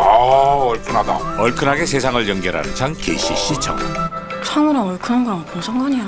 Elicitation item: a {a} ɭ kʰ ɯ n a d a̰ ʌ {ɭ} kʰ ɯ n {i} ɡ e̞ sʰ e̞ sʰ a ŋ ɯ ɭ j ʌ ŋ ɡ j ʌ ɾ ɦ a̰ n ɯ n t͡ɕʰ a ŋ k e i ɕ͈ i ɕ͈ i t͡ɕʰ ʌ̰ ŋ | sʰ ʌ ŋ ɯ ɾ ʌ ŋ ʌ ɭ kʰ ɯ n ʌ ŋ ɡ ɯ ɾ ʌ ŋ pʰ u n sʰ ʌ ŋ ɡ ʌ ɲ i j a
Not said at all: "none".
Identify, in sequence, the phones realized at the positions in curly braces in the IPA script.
ʌ, ɭ, a

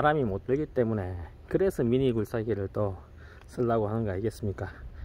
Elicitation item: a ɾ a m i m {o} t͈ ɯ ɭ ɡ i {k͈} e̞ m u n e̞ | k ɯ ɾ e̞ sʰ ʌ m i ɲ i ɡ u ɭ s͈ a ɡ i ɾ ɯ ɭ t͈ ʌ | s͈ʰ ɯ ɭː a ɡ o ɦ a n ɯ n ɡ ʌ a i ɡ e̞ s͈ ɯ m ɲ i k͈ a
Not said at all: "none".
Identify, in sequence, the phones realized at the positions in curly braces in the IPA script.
o, t͈

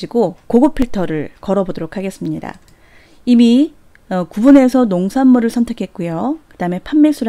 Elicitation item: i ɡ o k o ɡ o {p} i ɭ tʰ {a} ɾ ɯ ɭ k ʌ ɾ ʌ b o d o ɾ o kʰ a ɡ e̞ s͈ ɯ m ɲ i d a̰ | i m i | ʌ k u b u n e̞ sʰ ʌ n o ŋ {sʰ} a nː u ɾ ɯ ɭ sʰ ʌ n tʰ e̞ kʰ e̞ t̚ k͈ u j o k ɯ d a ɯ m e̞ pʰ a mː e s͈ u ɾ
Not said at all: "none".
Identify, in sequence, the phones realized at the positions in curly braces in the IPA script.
pʰ, ʌ, sʰ

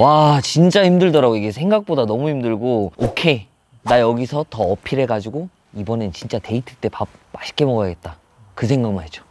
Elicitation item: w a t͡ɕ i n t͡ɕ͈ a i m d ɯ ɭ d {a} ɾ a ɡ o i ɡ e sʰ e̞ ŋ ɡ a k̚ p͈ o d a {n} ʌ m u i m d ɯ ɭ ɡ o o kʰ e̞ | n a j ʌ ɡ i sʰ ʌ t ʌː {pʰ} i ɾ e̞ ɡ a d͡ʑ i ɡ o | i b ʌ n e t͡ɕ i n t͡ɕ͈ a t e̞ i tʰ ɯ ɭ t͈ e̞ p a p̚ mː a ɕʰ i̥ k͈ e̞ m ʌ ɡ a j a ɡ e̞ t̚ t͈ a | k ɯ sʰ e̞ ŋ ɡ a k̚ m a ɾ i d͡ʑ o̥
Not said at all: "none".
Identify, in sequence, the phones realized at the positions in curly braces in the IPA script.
ʌ, n, pʰ

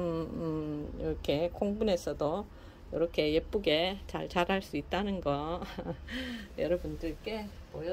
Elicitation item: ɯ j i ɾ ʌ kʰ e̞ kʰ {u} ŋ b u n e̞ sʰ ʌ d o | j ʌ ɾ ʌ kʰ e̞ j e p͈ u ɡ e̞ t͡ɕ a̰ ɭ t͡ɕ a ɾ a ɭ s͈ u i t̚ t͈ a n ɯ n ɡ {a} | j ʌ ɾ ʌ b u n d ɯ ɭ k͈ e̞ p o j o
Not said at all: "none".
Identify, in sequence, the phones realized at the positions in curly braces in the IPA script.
o, ʌ

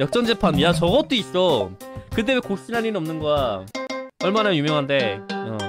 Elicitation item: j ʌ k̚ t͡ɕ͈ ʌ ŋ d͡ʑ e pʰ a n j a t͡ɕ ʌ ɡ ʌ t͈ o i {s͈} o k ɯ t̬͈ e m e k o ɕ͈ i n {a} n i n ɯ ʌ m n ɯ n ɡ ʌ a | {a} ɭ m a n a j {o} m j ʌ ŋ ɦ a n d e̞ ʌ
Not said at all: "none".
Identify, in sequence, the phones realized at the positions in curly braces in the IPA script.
s͈, a, ʌ, u

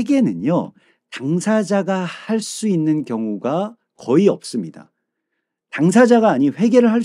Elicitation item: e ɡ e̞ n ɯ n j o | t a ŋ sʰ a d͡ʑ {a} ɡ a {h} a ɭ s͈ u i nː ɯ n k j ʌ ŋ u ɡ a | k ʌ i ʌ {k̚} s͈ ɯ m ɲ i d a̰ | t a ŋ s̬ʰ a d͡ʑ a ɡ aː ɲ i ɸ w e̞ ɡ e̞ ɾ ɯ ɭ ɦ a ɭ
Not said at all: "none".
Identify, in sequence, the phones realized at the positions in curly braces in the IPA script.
a, h, p̚

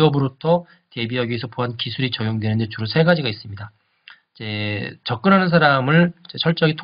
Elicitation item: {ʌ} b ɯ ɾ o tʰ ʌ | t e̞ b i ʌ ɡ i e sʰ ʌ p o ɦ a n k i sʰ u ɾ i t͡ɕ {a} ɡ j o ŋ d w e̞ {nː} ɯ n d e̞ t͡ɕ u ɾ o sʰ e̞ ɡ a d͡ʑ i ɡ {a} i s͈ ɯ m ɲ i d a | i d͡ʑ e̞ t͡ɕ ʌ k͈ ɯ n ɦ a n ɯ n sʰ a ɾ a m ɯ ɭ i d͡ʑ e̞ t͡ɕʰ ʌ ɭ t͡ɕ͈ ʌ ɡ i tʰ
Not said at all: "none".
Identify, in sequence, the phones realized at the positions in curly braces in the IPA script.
ʌ, ʌ, n, a

